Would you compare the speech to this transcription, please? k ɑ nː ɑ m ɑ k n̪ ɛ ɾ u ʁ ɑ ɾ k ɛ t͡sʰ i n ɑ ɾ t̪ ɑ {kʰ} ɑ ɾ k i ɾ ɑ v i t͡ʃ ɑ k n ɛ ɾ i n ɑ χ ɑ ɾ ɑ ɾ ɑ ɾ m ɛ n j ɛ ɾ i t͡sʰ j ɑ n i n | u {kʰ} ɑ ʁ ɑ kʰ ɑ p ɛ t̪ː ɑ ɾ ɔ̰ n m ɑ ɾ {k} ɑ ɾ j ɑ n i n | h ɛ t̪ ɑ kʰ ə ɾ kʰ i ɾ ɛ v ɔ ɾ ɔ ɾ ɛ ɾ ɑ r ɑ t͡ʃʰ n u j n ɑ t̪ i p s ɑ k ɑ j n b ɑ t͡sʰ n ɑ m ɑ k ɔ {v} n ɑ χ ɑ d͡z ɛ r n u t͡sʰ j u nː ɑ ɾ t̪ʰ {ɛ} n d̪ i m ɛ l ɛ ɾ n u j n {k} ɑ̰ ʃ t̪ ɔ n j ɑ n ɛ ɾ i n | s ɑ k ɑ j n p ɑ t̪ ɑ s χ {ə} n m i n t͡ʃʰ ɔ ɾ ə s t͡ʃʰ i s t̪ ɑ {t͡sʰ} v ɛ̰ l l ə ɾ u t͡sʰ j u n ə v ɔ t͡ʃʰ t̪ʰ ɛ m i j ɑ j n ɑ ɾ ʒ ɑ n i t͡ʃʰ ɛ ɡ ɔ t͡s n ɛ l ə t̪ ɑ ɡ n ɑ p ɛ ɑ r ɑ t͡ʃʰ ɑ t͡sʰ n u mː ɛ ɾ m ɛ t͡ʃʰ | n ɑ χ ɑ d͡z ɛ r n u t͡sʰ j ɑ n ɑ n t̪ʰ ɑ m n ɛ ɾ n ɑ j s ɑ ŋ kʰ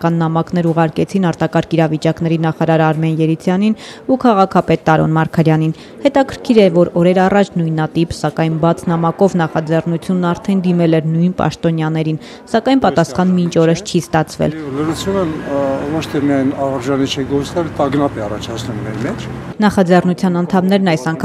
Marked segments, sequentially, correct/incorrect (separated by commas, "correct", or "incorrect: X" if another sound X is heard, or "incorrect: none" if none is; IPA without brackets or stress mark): incorrect: k, correct, incorrect: kʰ, correct, correct, incorrect: p, incorrect: ɑ, correct